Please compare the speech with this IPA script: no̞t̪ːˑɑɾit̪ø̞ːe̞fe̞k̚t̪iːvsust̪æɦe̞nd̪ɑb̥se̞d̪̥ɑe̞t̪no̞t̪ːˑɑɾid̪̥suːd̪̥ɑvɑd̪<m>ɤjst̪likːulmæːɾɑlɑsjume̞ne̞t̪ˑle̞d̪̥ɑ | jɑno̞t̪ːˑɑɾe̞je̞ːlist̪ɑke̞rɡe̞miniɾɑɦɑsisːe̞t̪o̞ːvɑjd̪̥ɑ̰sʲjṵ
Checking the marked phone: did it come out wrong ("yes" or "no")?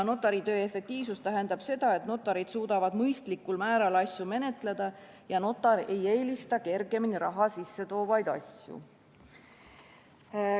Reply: no